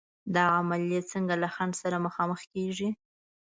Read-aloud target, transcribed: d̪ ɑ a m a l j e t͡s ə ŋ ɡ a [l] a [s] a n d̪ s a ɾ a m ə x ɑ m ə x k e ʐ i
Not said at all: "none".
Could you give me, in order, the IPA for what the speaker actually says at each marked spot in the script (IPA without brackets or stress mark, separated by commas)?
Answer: l, x